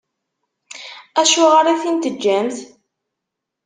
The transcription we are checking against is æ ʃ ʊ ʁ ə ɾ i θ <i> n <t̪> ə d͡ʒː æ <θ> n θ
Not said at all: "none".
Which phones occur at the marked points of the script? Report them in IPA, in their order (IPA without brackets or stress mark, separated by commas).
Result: i, t̪, none